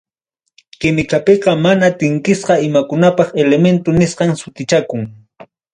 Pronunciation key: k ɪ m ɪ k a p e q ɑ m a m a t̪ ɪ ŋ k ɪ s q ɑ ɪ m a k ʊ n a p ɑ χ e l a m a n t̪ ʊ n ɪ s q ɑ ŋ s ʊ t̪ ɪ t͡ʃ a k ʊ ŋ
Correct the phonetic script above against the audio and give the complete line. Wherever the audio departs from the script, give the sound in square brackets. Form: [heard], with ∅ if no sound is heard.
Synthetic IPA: k ɪ m ɪ k a p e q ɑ m a [n] a t̪ ɪ ŋ k ɪ s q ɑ ɪ m a k ʊ n a p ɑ χ e l [e] m [e] n t̪ ʊ n ɪ s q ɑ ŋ s ʊ t̪ ɪ t͡ʃ a k ʊ ŋ